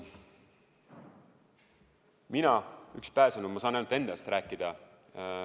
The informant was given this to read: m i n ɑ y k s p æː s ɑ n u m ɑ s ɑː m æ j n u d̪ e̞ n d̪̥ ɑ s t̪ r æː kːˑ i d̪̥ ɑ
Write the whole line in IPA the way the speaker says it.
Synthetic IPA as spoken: m i n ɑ y k s p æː s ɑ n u m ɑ s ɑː n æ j n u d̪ e̞ n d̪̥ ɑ s t̪ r æː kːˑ i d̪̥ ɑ